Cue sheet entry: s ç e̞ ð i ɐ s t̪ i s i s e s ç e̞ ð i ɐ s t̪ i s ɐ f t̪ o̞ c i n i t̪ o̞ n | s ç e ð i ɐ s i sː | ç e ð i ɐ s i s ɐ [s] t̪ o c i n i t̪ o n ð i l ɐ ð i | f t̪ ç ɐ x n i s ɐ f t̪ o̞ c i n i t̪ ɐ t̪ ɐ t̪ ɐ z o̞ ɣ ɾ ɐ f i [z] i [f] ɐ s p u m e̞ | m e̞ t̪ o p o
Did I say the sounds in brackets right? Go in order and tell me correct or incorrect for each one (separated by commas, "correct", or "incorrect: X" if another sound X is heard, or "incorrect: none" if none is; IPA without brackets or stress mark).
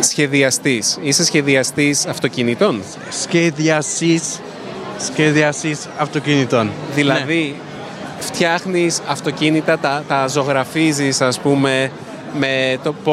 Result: incorrect: f, correct, incorrect: s